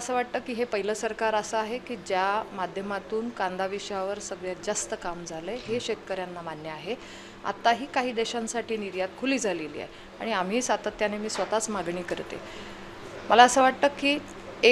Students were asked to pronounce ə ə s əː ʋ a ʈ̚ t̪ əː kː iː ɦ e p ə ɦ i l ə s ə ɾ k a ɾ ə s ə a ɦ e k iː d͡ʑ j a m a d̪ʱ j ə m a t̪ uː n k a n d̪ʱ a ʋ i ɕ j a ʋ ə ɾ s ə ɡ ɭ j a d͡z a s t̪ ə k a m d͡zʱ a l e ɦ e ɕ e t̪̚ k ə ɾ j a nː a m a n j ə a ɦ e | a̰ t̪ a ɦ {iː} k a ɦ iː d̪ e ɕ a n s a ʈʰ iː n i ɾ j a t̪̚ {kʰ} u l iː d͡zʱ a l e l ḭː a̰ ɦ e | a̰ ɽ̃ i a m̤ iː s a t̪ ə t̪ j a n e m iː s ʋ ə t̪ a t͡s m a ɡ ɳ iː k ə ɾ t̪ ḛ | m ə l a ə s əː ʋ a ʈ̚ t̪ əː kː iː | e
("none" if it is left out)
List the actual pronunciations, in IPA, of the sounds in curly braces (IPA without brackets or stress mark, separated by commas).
iː, kʰ